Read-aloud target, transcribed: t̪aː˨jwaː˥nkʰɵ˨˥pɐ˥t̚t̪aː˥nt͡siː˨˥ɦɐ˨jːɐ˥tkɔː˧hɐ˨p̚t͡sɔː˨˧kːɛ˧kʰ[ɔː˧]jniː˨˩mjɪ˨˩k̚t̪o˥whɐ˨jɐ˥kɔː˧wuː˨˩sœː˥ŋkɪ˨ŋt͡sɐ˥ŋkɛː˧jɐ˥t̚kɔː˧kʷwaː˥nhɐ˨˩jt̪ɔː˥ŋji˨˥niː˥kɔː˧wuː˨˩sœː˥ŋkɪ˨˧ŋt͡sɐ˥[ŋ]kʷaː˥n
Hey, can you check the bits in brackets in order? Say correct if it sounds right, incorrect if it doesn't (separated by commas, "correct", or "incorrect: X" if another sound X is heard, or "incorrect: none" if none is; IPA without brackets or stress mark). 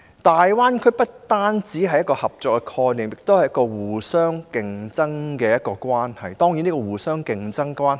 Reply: correct, correct